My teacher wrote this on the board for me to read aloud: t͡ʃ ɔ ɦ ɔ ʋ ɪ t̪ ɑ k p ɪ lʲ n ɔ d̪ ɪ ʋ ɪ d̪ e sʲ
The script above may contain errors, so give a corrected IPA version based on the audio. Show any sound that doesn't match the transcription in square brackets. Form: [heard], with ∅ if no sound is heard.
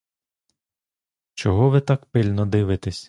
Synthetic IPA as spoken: t͡ʃ ɔ ɦ ɔ ʋ ɪ t̪ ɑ k p ɪ lʲ n ɔ d̪ ɪ ʋ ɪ [t̪] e sʲ